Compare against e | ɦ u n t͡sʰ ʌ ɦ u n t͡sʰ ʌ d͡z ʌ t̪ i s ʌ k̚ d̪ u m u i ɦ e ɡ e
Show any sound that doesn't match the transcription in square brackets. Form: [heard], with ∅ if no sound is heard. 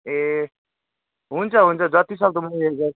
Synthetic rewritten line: e | ɦ u n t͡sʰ ʌ ɦ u n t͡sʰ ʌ d͡z ʌ t̪ i s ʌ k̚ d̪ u m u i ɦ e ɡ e